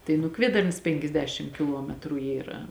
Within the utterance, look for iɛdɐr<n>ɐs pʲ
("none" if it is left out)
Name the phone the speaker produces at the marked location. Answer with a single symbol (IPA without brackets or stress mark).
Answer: n